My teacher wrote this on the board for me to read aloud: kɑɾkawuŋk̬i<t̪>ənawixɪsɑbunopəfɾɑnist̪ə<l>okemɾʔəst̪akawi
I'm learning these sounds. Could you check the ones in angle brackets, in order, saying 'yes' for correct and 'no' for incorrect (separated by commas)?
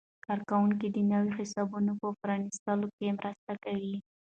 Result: no, yes